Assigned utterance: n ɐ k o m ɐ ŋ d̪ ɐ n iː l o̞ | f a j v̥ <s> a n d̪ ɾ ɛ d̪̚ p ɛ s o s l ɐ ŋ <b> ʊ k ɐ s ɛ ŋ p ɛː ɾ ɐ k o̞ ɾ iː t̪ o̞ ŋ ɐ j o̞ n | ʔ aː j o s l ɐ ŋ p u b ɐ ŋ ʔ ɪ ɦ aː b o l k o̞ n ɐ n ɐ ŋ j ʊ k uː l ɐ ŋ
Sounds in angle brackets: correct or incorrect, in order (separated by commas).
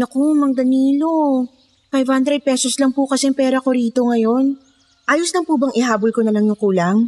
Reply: incorrect, incorrect